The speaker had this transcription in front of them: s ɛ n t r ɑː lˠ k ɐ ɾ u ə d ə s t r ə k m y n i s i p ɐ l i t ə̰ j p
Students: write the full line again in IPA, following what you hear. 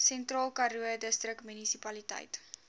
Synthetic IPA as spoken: s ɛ n t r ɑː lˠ k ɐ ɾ u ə d ə s t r ə k m y n i s i p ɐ l i t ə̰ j t